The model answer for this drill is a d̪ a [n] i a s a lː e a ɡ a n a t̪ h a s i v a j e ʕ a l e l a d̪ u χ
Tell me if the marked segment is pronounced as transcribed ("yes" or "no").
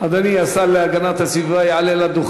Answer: yes